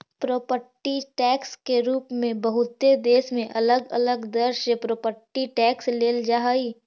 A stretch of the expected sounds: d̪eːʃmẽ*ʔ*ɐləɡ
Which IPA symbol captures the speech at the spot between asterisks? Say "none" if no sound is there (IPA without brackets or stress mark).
ʔ